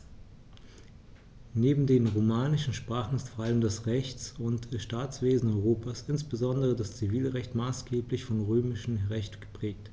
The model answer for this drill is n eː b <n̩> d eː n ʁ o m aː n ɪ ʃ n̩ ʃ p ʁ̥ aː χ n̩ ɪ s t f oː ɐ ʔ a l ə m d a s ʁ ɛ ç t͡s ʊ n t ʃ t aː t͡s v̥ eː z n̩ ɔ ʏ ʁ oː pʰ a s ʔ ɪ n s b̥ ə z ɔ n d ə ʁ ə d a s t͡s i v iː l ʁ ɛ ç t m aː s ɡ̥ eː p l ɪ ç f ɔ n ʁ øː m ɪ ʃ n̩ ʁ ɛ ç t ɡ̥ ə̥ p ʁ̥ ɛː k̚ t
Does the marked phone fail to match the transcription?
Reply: yes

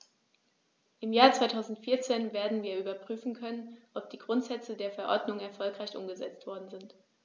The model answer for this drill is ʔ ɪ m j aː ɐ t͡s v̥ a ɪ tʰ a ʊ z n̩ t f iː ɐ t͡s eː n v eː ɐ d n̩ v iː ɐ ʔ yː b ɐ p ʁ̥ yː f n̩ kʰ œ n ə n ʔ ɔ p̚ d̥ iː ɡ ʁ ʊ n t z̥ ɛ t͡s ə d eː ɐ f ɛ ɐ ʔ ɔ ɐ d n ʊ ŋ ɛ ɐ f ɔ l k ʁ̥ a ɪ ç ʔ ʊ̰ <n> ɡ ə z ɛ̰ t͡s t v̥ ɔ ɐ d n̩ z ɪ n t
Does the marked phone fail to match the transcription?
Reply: yes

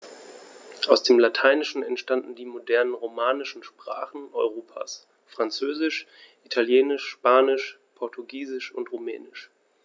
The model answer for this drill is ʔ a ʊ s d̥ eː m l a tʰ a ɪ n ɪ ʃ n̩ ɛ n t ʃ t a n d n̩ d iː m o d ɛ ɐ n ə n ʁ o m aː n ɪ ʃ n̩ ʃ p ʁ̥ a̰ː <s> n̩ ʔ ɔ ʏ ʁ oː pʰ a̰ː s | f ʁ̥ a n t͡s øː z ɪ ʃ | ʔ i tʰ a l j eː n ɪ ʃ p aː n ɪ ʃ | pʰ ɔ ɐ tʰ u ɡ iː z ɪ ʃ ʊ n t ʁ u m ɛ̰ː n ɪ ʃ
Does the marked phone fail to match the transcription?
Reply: yes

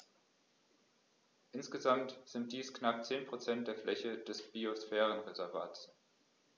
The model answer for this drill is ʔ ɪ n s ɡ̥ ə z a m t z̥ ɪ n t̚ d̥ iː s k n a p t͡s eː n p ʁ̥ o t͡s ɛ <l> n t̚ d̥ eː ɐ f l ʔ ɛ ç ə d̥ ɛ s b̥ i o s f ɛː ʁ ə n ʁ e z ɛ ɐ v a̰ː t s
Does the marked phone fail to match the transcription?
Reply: yes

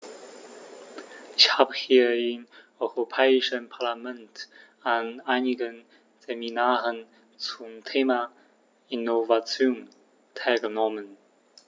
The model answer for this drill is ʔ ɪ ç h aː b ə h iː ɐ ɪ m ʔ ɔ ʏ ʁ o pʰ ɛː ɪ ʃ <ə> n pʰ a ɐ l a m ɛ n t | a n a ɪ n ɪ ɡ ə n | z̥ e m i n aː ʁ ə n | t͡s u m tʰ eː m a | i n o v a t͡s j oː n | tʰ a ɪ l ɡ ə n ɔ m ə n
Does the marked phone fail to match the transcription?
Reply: no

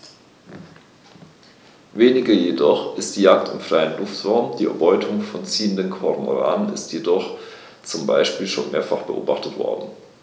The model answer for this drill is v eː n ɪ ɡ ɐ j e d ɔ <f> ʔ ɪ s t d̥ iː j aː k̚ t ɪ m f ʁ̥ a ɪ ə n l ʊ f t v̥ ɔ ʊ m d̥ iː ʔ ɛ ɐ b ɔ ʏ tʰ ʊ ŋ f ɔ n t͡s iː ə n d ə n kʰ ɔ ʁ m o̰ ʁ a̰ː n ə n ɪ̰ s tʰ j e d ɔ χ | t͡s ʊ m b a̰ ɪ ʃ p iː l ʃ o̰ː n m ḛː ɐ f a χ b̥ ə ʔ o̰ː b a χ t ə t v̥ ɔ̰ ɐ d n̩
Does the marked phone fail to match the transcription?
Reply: yes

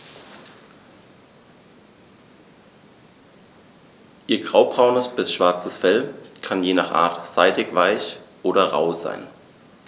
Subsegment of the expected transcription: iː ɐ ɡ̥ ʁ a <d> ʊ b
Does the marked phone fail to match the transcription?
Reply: yes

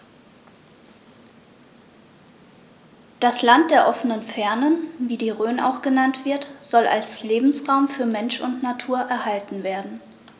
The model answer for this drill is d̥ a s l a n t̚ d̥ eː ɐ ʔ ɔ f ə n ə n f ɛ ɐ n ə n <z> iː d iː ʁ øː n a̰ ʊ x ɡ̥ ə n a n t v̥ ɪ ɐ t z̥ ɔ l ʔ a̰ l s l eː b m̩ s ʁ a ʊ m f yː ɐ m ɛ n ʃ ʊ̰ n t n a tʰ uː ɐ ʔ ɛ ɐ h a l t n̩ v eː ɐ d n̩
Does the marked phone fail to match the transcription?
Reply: yes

